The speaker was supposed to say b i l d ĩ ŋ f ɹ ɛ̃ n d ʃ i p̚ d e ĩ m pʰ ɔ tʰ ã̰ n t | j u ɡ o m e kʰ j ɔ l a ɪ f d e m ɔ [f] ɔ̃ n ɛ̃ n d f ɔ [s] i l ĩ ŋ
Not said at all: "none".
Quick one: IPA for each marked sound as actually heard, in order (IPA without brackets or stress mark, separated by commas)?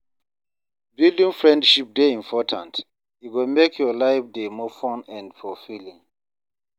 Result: f, f